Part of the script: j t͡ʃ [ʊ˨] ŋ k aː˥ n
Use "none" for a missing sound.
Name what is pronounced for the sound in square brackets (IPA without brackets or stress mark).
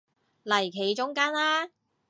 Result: ʊ˥